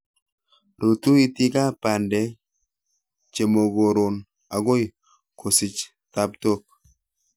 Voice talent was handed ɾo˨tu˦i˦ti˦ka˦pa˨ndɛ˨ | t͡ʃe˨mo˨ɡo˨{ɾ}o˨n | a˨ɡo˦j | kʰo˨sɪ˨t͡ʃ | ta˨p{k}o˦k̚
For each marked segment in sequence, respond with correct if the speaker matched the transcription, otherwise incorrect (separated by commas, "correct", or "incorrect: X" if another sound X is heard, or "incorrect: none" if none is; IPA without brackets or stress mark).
correct, incorrect: t